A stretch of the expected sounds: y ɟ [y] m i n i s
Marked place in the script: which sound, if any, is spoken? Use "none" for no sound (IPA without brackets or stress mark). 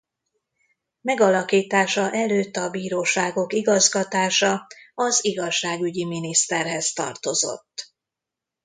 i